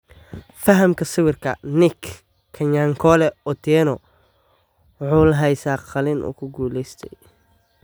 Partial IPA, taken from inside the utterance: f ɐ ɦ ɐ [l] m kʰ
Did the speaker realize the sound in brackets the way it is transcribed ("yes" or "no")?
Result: no